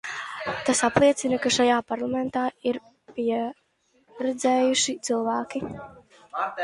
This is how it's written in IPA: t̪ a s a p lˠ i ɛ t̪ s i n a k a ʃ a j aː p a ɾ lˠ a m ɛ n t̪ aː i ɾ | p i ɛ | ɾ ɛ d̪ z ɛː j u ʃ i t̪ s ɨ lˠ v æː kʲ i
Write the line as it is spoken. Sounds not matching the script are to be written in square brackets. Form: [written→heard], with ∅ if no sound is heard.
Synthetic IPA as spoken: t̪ a s a p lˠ i ɛ t̪ s i n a k a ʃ a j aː p a ɾ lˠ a m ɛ n t̪ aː i ɾ | p i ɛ | ɾ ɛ d̪ z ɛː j u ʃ i t̪ s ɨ lˠ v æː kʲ i